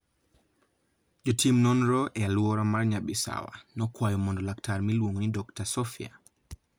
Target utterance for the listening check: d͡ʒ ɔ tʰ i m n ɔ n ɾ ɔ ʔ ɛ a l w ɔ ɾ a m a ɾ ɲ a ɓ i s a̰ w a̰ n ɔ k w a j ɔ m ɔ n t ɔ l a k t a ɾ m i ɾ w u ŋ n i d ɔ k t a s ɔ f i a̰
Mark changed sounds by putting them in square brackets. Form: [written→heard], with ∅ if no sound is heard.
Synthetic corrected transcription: d͡ʒ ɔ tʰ i m n ɔ n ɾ ɔ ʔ ɛ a l w ɔ ɾ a m a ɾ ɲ a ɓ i s a̰ w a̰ n ɔ k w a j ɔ m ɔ n [t→d] ɔ l a k t a ɾ m i [ɾ→l] w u ŋ n i d ɔ k t a s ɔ f i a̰